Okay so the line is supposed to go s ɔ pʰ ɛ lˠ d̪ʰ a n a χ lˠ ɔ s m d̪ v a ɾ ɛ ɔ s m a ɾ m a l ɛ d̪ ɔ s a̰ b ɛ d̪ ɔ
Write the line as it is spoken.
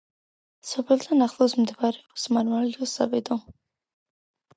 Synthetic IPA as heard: s ɔ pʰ ɛ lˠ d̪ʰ a n a χ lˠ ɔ s m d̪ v a ɾ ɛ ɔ s m a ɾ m a l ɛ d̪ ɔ s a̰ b ɛ d̪ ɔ